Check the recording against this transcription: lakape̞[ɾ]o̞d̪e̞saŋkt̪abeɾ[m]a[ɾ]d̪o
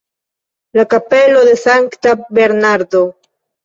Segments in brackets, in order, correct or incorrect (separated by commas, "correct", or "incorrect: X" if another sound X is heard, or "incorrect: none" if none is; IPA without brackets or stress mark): incorrect: l, incorrect: n, correct